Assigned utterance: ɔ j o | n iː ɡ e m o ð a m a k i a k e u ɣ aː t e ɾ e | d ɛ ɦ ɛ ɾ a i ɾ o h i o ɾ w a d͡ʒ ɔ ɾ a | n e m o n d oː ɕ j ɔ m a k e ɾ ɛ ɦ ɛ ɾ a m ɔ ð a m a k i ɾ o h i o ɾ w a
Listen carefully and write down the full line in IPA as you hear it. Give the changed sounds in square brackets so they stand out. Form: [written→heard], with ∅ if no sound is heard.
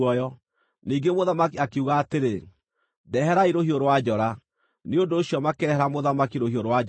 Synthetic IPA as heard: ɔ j [o→ɔ] | n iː ɡ e m o ð a m a k i a k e u ɣ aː t e ɾ e | d ɛ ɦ ɛ ɾ a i ɾ o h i o ɾ w a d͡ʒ ɔ ɾ a | n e [m→∅] o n d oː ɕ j ɔ m a k e ɾ ɛ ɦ ɛ ɾ a m [ɔ→o] ð a m a k i ɾ o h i o ɾ w a